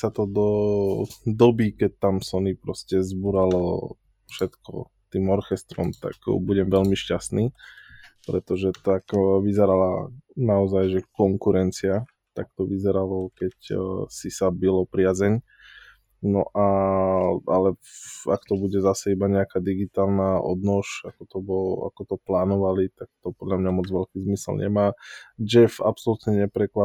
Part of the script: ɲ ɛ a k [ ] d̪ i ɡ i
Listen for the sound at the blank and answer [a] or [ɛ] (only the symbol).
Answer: a